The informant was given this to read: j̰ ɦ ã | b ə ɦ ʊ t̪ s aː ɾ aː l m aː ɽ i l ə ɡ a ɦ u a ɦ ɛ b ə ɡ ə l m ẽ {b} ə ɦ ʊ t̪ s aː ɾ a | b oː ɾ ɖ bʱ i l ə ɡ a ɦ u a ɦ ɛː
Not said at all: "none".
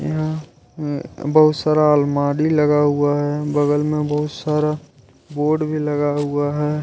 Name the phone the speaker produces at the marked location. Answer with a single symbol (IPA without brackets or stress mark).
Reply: b